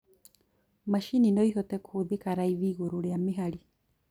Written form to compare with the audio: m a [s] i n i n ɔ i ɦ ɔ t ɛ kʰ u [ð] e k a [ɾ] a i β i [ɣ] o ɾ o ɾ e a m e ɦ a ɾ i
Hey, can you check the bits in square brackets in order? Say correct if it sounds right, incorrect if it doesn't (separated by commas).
incorrect, correct, correct, correct